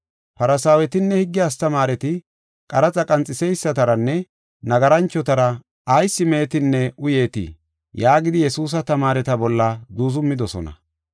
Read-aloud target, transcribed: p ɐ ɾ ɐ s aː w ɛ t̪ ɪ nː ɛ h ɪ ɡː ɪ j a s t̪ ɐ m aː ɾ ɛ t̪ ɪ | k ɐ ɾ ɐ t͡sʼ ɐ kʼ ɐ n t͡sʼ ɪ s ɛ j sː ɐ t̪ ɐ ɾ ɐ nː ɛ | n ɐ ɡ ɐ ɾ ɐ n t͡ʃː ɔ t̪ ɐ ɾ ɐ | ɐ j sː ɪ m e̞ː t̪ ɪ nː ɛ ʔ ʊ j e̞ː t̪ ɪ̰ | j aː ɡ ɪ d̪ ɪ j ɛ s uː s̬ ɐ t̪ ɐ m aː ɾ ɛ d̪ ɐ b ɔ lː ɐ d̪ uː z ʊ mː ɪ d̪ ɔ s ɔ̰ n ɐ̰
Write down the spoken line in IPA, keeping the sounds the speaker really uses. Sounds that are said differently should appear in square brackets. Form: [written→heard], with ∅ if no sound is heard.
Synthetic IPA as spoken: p ɐ ɾ ɐ s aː w ɛ t̪ ɪ nː ɛ h ɪ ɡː ɪ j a s t̪ ɐ m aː ɾ ɛ t̪ ɪ | [k→kʼ] ɐ ɾ ɐ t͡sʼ ɐ kʼ ɐ n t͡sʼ ɪ s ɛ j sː ɐ t̪ ɐ ɾ ɐ nː ɛ | n ɐ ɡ ɐ ɾ ɐ n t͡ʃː ɔ t̪ ɐ ɾ ɐ | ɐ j sː ɪ m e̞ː t̪ ɪ nː ɛ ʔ ʊ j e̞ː t̪ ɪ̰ | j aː ɡ ɪ d̪ ɪ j ɛ s uː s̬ ɐ t̪ ɐ m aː ɾ ɛ [d̪→t̪] ɐ b ɔ lː ɐ d̪ uː z ʊ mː ɪ d̪ ɔ s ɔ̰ n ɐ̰